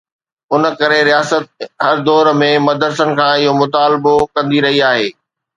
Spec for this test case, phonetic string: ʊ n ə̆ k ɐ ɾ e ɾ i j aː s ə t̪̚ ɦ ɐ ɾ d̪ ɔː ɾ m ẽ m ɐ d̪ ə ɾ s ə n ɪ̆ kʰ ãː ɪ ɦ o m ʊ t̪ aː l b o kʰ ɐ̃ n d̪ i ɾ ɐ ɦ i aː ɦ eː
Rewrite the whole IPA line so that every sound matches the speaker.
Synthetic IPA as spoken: ʊ n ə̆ k ɐ ɾ e ɾ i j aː s ə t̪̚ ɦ ɐ ɾ d̪ ɔː ɾ m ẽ m ɐ d̪ ə ɾ s ə n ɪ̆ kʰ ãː ɪ ɦ o m ʊ t̪ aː l b o k ɐ̃ n d̪ i ɾ ɐ ɦ i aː ɦ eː